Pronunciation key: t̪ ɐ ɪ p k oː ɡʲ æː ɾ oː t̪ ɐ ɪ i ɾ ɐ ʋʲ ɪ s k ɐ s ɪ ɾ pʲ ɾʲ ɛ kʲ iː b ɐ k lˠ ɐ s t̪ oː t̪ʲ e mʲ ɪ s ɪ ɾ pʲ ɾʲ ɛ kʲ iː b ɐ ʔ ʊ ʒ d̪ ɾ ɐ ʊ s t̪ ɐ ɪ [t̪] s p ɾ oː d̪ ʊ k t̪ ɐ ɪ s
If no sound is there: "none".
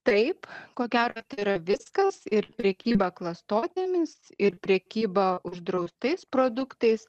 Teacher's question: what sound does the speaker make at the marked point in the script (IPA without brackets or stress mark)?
none